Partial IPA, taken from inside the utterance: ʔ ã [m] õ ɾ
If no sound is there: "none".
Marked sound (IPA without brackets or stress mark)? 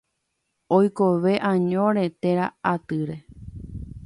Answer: ɲ